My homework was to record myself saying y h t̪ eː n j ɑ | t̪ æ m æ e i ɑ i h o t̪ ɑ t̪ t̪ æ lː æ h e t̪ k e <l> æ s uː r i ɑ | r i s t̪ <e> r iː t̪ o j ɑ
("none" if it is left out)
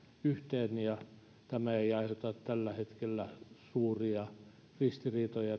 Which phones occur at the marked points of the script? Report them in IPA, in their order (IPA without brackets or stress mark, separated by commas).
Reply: lː, i